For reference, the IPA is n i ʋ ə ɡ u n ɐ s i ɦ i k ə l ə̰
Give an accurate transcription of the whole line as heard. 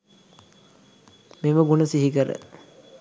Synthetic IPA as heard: m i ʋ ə ɡ u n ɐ s i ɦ i k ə ɾ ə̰